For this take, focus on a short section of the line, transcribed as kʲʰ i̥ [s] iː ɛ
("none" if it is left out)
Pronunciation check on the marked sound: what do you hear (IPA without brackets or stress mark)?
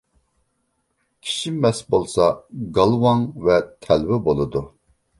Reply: ʃ